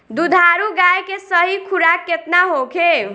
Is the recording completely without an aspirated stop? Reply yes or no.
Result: no